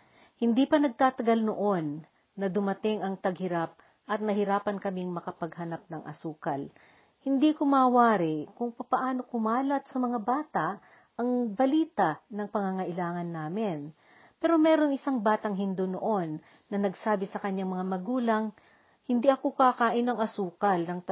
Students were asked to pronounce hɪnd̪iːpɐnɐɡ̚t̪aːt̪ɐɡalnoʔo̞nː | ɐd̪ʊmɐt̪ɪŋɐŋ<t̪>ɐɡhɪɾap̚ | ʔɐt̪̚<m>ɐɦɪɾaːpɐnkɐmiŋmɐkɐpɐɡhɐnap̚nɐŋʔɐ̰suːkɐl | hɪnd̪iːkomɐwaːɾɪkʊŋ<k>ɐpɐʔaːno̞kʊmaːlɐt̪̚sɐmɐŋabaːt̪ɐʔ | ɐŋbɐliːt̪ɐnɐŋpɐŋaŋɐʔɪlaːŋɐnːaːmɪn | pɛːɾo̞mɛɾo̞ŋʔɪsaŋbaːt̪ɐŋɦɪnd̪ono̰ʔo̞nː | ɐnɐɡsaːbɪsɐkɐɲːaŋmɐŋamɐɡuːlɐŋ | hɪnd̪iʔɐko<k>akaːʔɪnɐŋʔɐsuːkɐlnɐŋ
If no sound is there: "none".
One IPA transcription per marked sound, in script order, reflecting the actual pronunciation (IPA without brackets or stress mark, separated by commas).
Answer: t̪, n, p, k